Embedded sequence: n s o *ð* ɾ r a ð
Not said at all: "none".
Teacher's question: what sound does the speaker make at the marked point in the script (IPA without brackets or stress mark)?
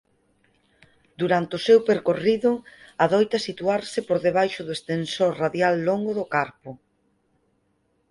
none